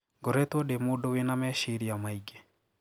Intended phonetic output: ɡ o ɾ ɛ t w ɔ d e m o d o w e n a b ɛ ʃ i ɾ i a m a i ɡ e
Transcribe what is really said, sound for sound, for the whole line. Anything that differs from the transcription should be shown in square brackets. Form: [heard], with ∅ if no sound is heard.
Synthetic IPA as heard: ɡ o ɾ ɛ t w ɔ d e m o d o w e n a [m] ɛ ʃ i ɾ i a m a i ɡ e